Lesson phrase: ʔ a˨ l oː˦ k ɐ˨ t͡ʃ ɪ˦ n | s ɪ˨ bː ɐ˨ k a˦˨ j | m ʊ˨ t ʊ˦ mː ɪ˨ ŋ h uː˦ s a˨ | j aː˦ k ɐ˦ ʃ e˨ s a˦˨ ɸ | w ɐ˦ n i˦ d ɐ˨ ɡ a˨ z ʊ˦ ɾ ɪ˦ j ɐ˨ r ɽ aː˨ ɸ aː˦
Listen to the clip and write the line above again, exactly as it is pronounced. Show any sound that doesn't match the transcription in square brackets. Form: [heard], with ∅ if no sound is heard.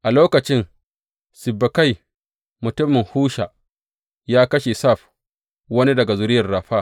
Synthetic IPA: ʔ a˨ l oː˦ k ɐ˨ t͡ʃ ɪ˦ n | s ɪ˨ bː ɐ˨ k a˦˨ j | m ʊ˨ t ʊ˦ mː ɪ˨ ŋ h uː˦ [ʃ] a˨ | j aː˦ k ɐ˦ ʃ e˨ s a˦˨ ɸ | w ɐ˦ n i˦ d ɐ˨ ɡ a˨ z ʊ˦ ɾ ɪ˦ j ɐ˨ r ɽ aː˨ ɸ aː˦